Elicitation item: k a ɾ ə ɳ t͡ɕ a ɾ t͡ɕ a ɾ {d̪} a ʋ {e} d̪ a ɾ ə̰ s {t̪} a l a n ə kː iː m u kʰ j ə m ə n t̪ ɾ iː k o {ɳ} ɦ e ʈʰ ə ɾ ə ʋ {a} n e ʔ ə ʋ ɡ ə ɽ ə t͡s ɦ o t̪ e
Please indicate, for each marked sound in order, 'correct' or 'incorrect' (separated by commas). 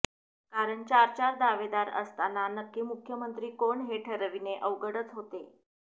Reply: correct, correct, correct, correct, incorrect